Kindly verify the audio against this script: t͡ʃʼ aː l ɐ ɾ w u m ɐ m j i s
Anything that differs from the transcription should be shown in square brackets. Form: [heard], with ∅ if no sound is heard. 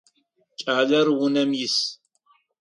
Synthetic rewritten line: t͡ʃʼ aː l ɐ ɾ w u [n] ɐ m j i s